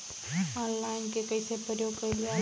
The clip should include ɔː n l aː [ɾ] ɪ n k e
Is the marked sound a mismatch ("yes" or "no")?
yes